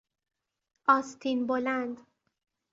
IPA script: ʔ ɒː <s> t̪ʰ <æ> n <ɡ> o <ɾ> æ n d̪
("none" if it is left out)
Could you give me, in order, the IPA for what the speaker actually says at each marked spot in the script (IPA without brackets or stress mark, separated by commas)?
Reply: s, i, b, l